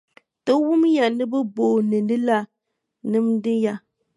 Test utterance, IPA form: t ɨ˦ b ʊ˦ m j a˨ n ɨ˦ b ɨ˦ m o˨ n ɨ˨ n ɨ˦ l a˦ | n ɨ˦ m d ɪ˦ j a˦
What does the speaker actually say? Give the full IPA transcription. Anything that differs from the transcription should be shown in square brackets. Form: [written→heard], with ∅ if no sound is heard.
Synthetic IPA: t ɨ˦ [b→w] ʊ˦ m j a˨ n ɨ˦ b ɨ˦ [m→b] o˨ n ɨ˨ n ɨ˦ l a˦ | n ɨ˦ m d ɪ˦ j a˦